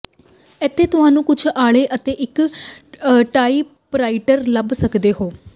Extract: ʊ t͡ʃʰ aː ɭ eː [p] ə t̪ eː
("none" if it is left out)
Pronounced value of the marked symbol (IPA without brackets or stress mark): ʔ